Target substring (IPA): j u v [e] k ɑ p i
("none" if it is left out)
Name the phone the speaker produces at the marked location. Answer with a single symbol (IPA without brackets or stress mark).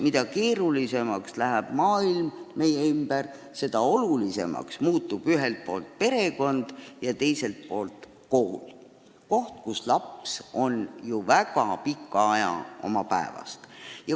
æ